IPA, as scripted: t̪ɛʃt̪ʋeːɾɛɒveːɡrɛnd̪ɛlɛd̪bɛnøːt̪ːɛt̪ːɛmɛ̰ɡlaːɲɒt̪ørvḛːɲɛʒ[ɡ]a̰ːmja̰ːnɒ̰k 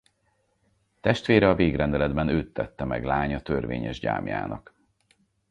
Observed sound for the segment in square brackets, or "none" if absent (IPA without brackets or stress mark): ɟ